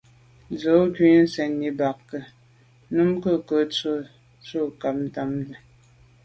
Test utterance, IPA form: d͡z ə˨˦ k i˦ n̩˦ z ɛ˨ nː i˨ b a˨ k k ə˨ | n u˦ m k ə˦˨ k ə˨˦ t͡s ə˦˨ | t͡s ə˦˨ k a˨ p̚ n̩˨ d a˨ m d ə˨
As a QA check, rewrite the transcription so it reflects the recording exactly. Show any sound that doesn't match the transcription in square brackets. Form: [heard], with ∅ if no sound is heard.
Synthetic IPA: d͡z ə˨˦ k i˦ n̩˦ [s] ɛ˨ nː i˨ b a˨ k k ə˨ | n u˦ m k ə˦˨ k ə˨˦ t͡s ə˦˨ | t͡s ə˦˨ k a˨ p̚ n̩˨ [t] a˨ m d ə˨